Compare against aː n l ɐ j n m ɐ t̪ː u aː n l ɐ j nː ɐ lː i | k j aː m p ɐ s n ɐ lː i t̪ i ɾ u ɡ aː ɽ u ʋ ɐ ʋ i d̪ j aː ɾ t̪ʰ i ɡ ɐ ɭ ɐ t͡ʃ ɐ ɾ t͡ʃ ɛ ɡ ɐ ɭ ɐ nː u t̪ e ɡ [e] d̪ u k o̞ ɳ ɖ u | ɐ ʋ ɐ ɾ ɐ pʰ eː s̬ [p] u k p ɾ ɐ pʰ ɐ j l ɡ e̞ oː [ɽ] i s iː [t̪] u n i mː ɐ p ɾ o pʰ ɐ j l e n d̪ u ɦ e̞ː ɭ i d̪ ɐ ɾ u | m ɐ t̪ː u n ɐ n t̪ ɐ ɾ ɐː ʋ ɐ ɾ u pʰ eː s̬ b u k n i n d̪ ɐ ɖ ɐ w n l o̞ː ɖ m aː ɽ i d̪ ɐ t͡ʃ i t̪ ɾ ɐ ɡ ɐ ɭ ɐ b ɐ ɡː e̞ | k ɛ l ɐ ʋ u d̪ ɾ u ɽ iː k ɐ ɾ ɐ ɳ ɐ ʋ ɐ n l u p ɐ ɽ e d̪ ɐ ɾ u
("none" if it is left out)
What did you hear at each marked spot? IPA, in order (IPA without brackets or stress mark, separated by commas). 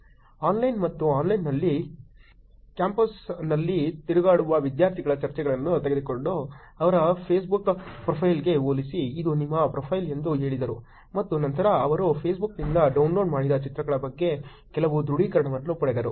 e, b, l, d̪